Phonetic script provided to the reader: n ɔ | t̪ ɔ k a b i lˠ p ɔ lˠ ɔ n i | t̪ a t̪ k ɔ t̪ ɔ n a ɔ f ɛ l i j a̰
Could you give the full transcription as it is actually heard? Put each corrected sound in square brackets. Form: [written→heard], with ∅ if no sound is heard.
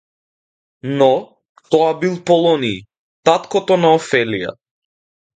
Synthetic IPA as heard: n ɔ | t̪ ɔ [k→∅] a b i lˠ p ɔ lˠ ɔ n i | t̪ a t̪ k ɔ t̪ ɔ n a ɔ f ɛ l i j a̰